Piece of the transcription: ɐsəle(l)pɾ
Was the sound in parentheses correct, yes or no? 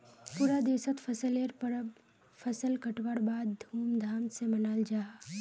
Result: no